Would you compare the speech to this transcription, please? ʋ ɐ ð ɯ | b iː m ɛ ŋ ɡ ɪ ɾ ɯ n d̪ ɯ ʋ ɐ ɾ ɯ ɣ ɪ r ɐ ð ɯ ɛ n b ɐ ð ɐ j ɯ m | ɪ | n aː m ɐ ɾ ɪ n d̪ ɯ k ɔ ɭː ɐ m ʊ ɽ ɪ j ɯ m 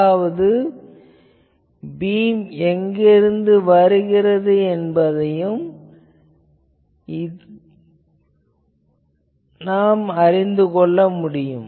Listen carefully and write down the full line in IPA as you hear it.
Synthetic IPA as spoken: ʋ ɐ ð ɯ | b iː m ɛ ŋ ɡ ɪ ɾ ɯ n d̪ ɯ ʋ ɐ ɾ ɯ ɣ ɪ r ɐ ð ɯ ɛ n b ɐ ð ɐ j ɯ m | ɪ | n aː m ɐ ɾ ɪ n d̪ ɯ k ɔ ɭː ɐ m ʊ ɽ ɪ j ɯ m

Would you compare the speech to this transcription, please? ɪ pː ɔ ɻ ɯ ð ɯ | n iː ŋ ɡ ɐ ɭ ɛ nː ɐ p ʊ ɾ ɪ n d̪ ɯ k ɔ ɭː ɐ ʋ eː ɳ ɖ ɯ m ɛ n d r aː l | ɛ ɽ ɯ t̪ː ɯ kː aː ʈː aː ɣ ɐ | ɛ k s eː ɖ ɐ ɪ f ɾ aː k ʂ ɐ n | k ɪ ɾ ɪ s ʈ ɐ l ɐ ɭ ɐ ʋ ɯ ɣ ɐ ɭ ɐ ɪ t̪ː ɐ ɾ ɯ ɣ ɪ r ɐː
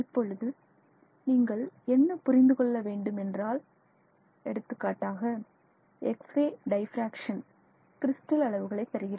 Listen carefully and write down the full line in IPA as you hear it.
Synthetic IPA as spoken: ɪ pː ɔ ɻ ɯ ð ɯ | n iː ŋ ɡ ɐ ɭ ɛ nː ɐ p ʊ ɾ ɪ n d̪ ɯ k ɔ ɭː ɐ ʋ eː ɳ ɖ ɯ m ɛ n d r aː l | ɛ ɽ ɯ t̪ː ɯ kː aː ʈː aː ɣ ɐ | ɛ k s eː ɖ ɐ ɪ f ɾ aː k ʂ ɐ n | k ɪ ɾ ɪ s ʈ ɐ l ɐ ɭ ɐ ʋ ɯ ɣ ɐ ɭ ɐ ɪ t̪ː ɐ ɾ ɯ ɣ ɪ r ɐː

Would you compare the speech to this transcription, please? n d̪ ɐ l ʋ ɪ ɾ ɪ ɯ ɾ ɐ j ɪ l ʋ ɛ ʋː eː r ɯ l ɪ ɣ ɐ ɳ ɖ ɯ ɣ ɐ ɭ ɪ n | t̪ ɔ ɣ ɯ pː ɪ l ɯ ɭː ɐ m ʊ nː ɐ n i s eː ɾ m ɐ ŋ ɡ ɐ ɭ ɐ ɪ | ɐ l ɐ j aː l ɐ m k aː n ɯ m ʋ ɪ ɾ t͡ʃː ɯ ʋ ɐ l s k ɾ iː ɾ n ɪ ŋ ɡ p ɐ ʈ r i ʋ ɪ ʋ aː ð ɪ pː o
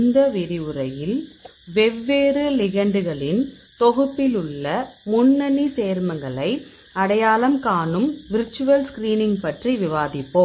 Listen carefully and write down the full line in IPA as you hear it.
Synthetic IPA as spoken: n d̪ ɐ ʋ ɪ ɾ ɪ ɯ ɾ ɐ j ɪ l ʋ ɛ ʋː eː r ɯ l ɪ ɣ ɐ ɳ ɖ ɯ ɣ ɐ ɭ ɪ n | t̪ ɔ ɣ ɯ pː ɪ l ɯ ɭː ɐ m ʊ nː ɐ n i s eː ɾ m ɐ ŋ ɡ ɐ ɭ ɐ ɪ | ɐ ɽ ɐ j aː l ɐ m k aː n ɯ m ʋ ɪ ɾ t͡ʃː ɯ ʋ ɐ l s k ɾ iː n ɪ ŋ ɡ p ɐ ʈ r i ʋ ɪ ʋ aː ð ɪ pː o

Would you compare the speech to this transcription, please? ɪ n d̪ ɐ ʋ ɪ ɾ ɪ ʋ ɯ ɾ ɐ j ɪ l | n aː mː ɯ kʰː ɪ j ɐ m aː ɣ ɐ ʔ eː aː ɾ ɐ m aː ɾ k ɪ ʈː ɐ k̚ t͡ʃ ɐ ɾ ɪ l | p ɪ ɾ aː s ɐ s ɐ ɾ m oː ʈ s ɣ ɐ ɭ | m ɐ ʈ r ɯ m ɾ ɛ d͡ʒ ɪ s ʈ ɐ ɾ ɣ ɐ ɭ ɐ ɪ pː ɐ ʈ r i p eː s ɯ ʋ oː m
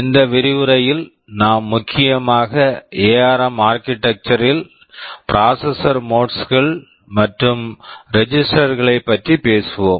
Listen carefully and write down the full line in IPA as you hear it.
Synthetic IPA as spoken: ɪ n d̪ ɐ ʋ ɪ ɾ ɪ ʋ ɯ ɾ ɐ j ɪ l | n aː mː ʊ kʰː ɪ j ɐ m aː ɣ ɐ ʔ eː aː ɾ ɐ m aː ɾ k ɪ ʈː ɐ k̚ t͡ʃ ɐ ɾ ɪ l | p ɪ ɾ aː s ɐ s ɐ ɾ m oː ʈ s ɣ ɐ ɭ | m ɐ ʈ r ɯ m ɾ ɛ d͡ʒ ɪ s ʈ ɐ ɾ ɣ ɐ ɭ ɐ ɪ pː ɐ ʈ r i p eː s ɯ ʋ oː m

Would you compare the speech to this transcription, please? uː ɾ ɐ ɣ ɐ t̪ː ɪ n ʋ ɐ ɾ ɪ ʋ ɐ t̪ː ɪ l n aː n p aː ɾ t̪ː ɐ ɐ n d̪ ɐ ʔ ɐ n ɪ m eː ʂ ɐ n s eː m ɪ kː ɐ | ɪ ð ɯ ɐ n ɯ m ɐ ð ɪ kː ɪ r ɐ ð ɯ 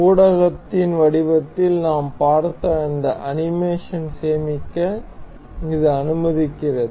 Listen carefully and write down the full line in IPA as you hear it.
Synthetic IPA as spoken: uː ɽ ɐ ɣ ɐ t̪ː ɪ n ʋ ɐ ɽ ɪ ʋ ɐ t̪ː ɪ l n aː m p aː ɾ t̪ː ɐ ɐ n d̪ ɐ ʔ ɐ n ɪ m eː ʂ ɐ n s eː m ɪ kː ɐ | ɪ ð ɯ ɐ n ɯ m ɐ ð ɪ kː ɪ r ɐ ð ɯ

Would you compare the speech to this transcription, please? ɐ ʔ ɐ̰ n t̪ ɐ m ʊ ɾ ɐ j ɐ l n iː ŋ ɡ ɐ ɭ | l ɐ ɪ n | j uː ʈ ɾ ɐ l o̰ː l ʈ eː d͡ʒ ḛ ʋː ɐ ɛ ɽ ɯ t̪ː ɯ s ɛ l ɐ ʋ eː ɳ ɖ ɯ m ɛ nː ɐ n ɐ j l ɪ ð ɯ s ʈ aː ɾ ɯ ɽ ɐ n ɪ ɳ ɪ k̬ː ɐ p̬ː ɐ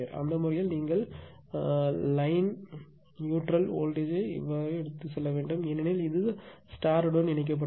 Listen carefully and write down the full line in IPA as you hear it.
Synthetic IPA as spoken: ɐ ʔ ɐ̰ n d̪ ɐ m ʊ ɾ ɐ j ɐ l n iː ŋ ɡ ɐ ɭ | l ɐ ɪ n | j uː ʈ ɾ ɐ l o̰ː l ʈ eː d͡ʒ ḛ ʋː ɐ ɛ ɽ ɯ t̪ː ɯ s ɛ lː ɐ ʋ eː ɳ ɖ ɯ m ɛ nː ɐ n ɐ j l ɪ ð ɯ s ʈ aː ɾ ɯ ɽ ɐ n ɪ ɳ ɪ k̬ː ɐ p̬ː ɐ

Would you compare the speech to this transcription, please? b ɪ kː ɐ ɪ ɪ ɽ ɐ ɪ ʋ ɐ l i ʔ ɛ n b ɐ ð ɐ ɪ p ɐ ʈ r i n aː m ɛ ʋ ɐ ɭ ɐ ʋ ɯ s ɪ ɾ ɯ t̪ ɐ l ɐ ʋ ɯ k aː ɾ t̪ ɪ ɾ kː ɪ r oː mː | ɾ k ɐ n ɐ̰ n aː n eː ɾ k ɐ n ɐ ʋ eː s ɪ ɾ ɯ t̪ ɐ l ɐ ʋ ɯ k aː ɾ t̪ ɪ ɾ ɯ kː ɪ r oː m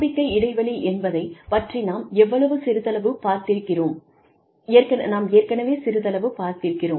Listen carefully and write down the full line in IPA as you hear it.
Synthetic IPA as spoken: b ɪ kː ɐ ɪ ɪ ɽ ɐ ɪ ʋ ɐ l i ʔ ɛ n b ɐ ð ɐ ɪ p ɐ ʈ r i n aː m ɛ ʋː ɐ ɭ ɐ ʋ ɯ s ɪ ɾ ɯ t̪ ɐ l ɐ ʋ ɯ p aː ɾ t̪ ɪ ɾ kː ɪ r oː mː | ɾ k ɐ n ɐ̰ n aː m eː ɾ k ɐ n ɐ ʋ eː s ɪ ɾ ɯ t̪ ɐ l ɐ ʋ ɯ p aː ɾ t̪ ɪ ɾ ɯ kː ɪ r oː m

